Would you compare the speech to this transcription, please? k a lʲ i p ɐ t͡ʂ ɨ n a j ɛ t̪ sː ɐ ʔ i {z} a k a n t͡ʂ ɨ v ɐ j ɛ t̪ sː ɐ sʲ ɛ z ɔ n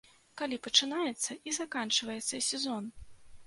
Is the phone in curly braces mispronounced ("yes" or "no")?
no